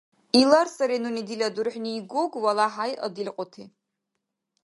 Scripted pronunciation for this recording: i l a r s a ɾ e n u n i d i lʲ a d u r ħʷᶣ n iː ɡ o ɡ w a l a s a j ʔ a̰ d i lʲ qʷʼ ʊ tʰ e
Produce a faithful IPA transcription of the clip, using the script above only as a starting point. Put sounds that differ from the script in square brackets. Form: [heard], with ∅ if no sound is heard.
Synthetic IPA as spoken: i l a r s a ɾ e n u n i d i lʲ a d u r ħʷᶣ n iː ɡ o ɡ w a l a [ħ] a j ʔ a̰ d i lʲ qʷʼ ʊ tʰ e